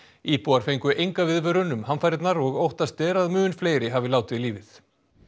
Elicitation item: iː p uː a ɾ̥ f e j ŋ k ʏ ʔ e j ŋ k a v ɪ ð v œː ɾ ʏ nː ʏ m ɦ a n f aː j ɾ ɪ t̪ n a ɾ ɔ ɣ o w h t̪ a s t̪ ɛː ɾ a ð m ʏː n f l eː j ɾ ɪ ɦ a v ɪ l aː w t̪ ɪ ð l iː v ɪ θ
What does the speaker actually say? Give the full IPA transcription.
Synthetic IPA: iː p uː a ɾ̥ f e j ŋ k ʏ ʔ e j ŋ k a v ɪ ð v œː ɾ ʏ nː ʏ m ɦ a n f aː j ɾ ɪ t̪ n a ɾ ɔ ɣ o w h t̪ a s t̪ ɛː ɾ a ð m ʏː n f l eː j ɾ ɪ ɦ a v ɪ l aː w t̪ ɪ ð l iː v ɪ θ

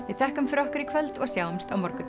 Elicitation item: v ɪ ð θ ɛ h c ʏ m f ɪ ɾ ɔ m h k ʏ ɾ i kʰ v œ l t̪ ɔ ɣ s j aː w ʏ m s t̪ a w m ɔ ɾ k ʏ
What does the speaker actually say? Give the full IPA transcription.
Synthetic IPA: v ɪ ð θ ɛ h k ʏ m f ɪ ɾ ɔ h k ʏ ɾ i kʰ v œ l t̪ ɔ ɣ s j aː w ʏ m s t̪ a w m ɔ ɾ k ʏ

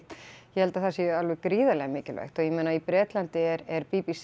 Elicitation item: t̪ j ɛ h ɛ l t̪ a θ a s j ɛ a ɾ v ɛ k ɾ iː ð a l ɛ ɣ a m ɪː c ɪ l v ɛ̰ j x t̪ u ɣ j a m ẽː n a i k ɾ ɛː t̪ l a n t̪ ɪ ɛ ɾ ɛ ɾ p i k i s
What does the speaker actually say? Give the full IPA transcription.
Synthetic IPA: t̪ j ɛ h ɛ l t̪ a θ a s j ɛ a l v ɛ k ɾ iː ð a l ɛ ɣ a m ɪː c ɪ l v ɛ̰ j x t̪ ɔ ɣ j ɛ m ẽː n a i p ɾ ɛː t̪ l a n t̪ ɪ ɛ ɾ ɛ ɾ p i p i s

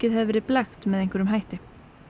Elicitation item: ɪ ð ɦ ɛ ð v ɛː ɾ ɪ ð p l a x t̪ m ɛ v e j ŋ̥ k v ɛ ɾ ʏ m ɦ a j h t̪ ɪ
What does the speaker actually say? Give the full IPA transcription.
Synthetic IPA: ɪ ð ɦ ɛ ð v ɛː ɾ ɪ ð p l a x t̪ m ɛ ð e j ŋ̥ k v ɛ ɾ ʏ m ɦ a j h t̪ ɪ

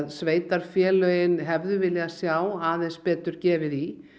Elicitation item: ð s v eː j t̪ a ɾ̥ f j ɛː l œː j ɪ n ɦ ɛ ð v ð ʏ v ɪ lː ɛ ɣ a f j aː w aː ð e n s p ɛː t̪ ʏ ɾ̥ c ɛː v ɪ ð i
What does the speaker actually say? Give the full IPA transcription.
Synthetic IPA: ð s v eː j t̪ a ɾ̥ f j ɛː l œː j ɪ n ɦ ɛ v ð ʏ v ɪ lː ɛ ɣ a s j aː w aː ð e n s p ɛː t̪ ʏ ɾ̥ c ɛː v ɪ ð i

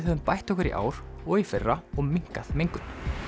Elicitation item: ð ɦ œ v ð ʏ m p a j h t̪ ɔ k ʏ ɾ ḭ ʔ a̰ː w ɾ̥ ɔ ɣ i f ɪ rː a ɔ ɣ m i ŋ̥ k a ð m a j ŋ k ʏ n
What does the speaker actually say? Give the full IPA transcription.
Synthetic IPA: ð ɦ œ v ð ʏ m p a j h t̪ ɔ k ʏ ɾ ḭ ʔ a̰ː w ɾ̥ ɔ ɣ i f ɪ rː a ɔ ɣ m i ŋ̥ k a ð m e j ŋ k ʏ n

